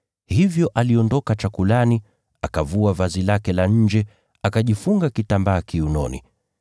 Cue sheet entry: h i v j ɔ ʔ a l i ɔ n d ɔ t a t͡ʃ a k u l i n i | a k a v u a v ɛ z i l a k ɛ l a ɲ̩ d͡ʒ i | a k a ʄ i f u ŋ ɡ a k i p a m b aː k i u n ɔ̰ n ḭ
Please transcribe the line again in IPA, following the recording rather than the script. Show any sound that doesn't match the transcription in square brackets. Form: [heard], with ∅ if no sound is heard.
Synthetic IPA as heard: h i v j ɔ ʔ a l i ɔ n d ɔ [k] a t͡ʃ a k u l [a] n i | a k a v u a v [a] z i l a k ɛ l a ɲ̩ d͡ʒ [ɛ] | a k a ʄ i f u ŋ ɡ a k i [t] a m b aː k i u n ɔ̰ n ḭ